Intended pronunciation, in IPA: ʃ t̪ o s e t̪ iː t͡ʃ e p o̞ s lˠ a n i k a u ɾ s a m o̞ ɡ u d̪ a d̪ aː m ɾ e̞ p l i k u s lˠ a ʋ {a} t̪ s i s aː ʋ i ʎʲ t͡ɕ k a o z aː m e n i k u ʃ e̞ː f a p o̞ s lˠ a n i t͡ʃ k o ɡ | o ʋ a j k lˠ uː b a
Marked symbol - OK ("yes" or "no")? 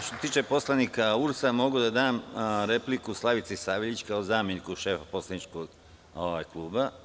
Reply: no